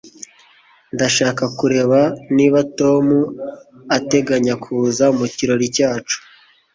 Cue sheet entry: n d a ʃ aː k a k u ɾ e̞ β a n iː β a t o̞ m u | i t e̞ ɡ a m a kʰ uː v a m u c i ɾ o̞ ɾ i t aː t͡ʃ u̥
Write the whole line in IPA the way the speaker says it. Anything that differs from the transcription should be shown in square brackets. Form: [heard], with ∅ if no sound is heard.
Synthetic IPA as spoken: n d a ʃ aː k a k u ɾ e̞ β a n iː β a t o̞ m u | [a] t e̞ ɡ a [ɲ] a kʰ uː [z] a m u c i ɾ o̞ ɾ i [c] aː t͡ʃ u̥